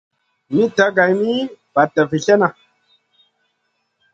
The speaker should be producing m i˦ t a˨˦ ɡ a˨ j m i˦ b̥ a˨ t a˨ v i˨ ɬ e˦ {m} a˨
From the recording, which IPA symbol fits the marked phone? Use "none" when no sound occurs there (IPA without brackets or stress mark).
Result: n